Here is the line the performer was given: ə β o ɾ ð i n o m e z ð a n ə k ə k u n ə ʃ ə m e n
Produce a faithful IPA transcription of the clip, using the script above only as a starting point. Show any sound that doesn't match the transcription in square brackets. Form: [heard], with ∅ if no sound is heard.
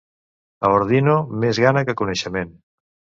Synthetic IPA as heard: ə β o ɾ ð i n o m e z [ɣ] a n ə k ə k u n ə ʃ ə m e n